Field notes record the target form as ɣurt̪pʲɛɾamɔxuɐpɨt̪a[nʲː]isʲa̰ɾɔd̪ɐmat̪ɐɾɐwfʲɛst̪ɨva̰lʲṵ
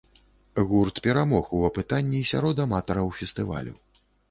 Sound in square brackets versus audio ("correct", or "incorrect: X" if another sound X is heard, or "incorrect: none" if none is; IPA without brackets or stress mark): correct